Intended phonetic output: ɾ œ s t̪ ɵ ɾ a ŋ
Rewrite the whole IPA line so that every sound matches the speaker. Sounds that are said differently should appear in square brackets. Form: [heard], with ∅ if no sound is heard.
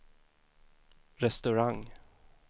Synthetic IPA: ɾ [ɛ] s t̪ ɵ ɾ a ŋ